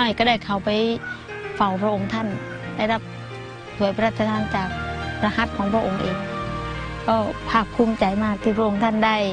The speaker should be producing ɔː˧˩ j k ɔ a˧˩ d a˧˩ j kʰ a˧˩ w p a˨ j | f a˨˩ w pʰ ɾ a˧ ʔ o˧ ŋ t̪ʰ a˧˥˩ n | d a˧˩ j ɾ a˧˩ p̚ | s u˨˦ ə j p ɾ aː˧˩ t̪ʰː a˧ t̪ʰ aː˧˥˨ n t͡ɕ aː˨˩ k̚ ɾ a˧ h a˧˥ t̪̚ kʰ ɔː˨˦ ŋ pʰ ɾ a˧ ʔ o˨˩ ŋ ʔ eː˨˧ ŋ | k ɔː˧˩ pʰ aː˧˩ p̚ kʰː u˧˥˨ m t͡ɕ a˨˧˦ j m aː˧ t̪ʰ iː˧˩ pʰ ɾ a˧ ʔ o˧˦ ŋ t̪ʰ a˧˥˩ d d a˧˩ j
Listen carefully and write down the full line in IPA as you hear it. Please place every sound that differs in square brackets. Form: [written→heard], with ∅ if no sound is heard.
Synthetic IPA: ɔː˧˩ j k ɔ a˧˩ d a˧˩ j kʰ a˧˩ w p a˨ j | f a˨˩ w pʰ ɾ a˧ ʔ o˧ ŋ t̪ʰ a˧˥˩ n | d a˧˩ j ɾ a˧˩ p̚ | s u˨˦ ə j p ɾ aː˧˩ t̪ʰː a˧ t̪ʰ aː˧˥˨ n t͡ɕ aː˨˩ k̚ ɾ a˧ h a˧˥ t̪̚ kʰ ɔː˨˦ ŋ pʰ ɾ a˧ ʔ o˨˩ ŋ ʔ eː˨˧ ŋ | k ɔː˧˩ pʰ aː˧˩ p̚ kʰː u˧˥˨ m t͡ɕ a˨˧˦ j m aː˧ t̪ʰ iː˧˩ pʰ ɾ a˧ ʔ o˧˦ ŋ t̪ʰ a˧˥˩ [d→n] d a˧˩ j

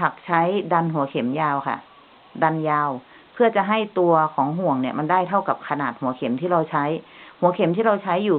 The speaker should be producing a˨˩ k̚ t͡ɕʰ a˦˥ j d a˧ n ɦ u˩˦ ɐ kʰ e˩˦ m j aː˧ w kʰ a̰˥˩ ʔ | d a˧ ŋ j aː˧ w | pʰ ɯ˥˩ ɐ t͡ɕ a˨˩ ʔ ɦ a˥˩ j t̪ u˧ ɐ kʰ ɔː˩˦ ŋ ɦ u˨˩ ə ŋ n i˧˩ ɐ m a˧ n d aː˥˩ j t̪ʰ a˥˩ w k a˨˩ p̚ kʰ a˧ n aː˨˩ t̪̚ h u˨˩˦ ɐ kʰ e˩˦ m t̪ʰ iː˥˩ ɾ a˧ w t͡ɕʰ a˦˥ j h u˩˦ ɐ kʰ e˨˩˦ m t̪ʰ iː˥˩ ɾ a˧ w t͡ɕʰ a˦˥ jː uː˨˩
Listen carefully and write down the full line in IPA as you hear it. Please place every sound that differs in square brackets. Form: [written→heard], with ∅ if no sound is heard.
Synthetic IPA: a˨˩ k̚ t͡ɕʰ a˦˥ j d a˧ n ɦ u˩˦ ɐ kʰ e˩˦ m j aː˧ w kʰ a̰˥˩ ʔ | d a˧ [ŋ→n] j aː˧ w | pʰ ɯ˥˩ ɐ t͡ɕ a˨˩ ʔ ɦ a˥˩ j t̪ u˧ ɐ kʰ ɔː˩˦ ŋ ɦ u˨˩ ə ŋ n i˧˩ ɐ m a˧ n d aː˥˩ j t̪ʰ a˥˩ w k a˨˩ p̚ kʰ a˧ n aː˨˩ t̪̚ h u˨˩˦ ɐ kʰ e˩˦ m t̪ʰ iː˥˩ ɾ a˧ w t͡ɕʰ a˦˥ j h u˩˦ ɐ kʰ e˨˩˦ m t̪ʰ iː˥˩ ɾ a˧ w t͡ɕʰ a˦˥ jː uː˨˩

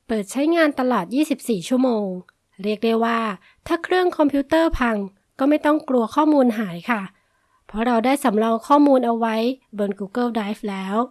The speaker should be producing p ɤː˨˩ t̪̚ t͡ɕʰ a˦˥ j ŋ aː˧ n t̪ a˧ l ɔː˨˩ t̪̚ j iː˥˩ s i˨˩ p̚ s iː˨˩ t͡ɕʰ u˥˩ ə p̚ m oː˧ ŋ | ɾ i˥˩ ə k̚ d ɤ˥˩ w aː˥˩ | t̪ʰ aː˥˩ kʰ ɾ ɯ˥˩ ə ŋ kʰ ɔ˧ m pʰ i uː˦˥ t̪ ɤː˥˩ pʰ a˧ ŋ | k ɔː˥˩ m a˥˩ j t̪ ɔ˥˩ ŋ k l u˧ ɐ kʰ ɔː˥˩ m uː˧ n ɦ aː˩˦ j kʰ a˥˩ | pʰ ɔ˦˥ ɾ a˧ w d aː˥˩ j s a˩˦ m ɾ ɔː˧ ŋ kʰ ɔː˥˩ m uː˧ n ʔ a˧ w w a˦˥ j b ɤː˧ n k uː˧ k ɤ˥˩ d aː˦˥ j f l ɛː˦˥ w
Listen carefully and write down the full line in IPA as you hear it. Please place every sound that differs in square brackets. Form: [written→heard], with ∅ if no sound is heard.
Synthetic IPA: p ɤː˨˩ t̪̚ t͡ɕʰ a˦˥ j ŋ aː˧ n t̪ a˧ l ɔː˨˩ t̪̚ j iː˥˩ s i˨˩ p̚ s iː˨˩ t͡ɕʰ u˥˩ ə [p̚→∅] m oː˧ ŋ | ɾ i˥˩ ə k̚ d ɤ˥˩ w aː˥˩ | t̪ʰ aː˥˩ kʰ ɾ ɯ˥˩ ə ŋ kʰ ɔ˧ m pʰ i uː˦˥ t̪ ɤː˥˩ pʰ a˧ ŋ | k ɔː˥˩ m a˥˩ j t̪ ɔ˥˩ ŋ k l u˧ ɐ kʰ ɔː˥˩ m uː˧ n ɦ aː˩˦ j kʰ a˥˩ | pʰ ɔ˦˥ ɾ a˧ w d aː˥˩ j s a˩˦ m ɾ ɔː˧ ŋ kʰ ɔː˥˩ m uː˧ n ʔ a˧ w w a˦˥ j b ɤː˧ n k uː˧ k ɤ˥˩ d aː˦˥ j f l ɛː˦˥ w

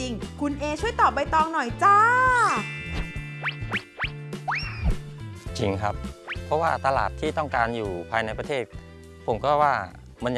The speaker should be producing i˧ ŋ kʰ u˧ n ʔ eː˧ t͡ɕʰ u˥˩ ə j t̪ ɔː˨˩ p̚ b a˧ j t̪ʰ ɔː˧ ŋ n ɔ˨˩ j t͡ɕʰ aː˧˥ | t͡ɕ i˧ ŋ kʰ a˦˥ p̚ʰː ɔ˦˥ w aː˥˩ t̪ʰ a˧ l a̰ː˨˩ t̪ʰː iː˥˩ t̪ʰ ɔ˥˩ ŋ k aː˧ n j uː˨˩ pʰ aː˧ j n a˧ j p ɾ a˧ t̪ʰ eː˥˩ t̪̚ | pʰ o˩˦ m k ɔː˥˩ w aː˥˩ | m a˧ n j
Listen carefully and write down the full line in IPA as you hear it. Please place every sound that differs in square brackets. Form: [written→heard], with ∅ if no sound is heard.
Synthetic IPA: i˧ ŋ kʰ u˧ n ʔ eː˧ t͡ɕʰ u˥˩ ə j t̪ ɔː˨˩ p̚ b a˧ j [t̪ʰ→t̪] ɔː˧ ŋ n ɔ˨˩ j [t͡ɕʰ→t͡ɕ] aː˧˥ | t͡ɕ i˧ ŋ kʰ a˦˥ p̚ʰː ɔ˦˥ w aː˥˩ [t̪ʰ→t̪] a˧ l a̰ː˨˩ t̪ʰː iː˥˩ [t̪ʰ→t̪] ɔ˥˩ ŋ k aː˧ n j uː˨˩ pʰ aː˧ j n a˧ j p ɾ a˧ t̪ʰ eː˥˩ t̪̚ | pʰ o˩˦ m k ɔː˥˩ w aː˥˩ | m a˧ n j

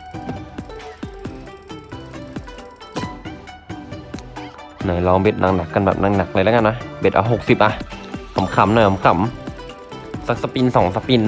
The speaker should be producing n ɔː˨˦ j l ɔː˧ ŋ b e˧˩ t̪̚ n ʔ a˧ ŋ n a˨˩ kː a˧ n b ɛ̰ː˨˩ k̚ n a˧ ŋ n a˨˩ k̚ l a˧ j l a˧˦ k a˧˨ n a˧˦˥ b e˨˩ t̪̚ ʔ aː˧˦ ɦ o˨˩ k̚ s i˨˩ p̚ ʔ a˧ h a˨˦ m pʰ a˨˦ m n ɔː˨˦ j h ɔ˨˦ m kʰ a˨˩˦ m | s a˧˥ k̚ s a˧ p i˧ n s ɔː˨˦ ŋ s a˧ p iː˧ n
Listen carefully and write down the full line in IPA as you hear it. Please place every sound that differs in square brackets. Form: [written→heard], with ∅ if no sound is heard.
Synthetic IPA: n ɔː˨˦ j l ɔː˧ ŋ b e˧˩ t̪̚ n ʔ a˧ ŋ n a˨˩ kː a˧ n b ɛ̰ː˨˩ [k̚→p̚] n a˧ ŋ n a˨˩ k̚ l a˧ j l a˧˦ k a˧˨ n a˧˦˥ b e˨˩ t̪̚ ʔ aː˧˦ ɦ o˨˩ k̚ s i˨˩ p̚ ʔ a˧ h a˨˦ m [pʰ→kʰ] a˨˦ m n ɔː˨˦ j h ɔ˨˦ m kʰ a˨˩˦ m | s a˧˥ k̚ s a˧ p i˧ n s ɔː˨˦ ŋ s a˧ p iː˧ n

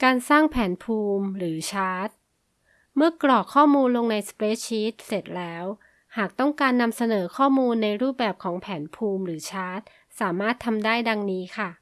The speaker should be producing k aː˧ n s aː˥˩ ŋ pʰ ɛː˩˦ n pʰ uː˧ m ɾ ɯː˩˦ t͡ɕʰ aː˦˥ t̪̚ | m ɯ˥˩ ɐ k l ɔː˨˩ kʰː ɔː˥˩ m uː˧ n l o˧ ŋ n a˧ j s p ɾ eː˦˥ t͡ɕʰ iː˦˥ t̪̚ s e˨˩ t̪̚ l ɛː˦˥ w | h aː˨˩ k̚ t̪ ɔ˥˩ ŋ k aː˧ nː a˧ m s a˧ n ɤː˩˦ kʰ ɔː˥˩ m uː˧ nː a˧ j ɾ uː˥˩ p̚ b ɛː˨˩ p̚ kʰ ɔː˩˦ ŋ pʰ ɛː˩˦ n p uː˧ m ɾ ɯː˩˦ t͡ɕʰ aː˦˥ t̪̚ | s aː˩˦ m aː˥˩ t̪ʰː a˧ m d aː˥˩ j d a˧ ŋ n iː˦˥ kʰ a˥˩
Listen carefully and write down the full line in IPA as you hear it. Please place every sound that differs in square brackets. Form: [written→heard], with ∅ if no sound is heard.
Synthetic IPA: k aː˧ n s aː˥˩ ŋ pʰ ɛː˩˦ n pʰ uː˧ m ɾ ɯː˩˦ t͡ɕʰ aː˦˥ t̪̚ | m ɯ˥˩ ɐ k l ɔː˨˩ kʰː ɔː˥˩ m uː˧ n l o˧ ŋ n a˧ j s p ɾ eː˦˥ t͡ɕʰ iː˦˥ t̪̚ s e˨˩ t̪̚ l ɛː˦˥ w | h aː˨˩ k̚ t̪ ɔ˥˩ ŋ k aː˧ nː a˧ m s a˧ n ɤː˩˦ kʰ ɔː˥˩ m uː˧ nː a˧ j ɾ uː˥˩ p̚ b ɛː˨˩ p̚ kʰ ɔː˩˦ ŋ pʰ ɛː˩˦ n [p→pʰ] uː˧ m ɾ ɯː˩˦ t͡ɕʰ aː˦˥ t̪̚ | s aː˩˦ m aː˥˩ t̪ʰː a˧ m d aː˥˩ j d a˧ ŋ n iː˦˥ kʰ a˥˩

